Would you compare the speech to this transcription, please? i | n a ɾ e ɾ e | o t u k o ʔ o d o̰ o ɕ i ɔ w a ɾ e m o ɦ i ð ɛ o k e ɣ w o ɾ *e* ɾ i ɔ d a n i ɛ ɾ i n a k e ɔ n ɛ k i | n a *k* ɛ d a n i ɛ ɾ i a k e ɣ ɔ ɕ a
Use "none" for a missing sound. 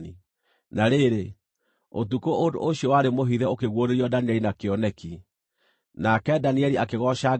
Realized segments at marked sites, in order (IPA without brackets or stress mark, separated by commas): e, k